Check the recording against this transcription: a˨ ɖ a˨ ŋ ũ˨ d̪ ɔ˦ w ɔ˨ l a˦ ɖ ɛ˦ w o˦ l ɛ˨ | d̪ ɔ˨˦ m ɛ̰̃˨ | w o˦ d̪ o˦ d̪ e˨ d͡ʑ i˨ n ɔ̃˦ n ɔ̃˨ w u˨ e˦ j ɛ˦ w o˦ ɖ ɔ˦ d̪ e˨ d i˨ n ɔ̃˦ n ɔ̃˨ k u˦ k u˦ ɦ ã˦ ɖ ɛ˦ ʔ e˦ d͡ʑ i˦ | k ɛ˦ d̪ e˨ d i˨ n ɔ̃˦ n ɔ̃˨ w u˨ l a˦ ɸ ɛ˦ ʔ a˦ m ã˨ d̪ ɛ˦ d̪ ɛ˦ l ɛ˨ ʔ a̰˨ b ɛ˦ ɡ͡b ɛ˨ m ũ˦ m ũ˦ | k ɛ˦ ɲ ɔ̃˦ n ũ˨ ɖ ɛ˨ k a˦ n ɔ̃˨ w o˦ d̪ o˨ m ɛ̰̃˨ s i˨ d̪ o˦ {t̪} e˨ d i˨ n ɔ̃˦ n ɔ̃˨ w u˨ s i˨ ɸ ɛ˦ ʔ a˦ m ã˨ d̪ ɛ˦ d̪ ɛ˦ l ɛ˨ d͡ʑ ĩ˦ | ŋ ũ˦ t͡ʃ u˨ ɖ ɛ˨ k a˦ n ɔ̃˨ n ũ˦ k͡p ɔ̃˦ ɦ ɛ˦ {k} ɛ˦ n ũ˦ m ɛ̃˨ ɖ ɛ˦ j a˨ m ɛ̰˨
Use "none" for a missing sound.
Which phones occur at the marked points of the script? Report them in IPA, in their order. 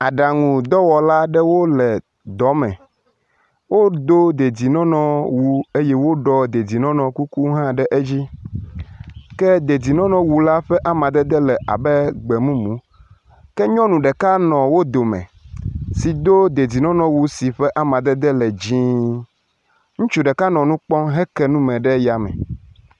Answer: d̪, k

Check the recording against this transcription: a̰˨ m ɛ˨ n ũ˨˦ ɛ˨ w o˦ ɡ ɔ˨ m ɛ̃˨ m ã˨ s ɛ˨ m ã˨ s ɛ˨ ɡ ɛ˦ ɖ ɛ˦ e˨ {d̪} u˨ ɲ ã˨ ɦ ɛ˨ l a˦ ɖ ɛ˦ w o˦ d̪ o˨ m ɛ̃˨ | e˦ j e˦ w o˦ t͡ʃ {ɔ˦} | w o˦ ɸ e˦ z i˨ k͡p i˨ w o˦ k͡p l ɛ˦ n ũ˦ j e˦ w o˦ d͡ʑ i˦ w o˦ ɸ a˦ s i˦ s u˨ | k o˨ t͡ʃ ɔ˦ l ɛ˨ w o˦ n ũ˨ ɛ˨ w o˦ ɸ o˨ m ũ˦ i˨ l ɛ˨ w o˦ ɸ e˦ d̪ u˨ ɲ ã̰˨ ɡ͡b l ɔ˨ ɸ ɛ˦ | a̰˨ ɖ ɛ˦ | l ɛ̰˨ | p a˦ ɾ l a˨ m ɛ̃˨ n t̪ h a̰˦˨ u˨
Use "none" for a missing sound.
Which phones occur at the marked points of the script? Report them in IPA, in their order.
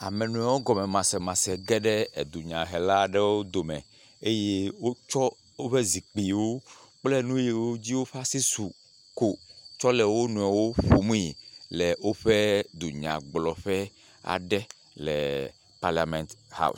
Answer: d̪, ɔ˦

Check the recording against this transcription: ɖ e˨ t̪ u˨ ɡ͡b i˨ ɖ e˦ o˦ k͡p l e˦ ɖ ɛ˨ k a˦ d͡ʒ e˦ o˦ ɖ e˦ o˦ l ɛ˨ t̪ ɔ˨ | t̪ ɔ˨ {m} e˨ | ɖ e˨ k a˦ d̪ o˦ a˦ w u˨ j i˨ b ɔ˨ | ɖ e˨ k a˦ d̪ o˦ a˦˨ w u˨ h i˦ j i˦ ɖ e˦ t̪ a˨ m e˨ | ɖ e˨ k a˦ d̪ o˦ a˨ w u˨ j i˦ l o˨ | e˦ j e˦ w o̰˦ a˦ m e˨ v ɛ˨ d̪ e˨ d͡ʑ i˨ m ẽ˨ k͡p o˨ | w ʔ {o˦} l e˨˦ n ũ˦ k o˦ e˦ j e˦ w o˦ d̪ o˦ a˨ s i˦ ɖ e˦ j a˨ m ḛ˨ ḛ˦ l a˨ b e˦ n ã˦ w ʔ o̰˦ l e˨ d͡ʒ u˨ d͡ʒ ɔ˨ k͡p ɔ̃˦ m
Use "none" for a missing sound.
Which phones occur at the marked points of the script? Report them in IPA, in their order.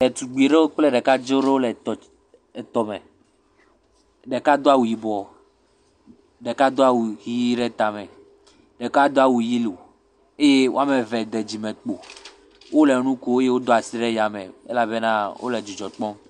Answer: m, o˦

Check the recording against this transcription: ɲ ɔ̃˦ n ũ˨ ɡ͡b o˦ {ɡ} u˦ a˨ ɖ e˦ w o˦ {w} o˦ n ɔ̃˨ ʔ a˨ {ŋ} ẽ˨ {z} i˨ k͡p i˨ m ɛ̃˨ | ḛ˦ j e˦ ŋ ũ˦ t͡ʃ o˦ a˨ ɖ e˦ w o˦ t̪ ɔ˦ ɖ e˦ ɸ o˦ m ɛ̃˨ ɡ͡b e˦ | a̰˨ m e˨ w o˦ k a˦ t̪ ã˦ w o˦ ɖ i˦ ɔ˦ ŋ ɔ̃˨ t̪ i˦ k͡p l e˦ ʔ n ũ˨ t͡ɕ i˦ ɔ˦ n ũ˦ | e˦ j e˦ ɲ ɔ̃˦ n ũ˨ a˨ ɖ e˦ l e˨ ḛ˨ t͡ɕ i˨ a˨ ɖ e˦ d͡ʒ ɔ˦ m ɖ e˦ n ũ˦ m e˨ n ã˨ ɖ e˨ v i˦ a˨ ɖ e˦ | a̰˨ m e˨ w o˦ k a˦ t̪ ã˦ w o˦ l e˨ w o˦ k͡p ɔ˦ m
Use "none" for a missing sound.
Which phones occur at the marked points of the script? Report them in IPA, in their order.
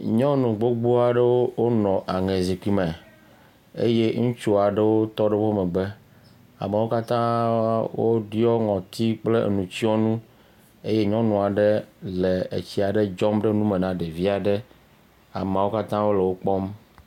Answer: ɡ͡b, w, ŋ, z

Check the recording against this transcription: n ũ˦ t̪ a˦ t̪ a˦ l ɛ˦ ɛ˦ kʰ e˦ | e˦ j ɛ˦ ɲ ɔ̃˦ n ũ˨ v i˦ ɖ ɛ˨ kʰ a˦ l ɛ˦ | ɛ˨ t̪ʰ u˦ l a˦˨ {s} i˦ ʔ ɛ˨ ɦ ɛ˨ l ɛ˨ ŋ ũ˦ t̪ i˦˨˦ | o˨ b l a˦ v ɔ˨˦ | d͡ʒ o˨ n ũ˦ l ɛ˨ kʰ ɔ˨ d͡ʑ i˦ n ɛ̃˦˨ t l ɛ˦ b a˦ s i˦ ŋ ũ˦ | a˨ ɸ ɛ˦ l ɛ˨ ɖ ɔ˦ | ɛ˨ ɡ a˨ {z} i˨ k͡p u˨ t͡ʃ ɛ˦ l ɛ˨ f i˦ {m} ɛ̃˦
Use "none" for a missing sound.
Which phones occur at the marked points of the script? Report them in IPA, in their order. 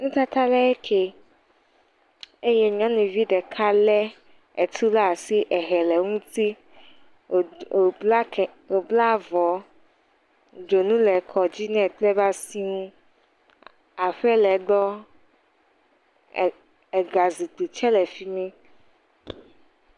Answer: s, z, m

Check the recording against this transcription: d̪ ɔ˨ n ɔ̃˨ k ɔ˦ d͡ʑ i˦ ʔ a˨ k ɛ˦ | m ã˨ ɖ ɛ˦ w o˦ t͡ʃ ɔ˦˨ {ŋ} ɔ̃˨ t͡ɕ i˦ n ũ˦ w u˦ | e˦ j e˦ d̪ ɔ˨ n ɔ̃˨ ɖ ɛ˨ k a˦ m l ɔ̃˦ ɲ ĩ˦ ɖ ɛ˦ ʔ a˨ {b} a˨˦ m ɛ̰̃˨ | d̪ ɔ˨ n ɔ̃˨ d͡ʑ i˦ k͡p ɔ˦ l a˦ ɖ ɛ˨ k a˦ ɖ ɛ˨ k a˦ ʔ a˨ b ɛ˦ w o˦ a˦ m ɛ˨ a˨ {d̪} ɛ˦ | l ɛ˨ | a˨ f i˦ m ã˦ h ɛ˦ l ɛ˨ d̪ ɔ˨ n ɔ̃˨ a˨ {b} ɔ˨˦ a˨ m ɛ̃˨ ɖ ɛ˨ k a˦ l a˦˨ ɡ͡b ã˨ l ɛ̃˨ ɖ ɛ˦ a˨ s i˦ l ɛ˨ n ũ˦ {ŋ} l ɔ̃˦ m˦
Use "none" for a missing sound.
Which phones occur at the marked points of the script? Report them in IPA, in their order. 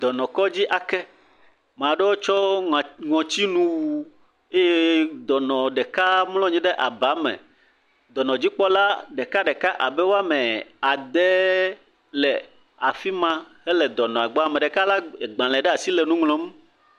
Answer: ŋ, b, d̪, ɡ͡b, ŋ

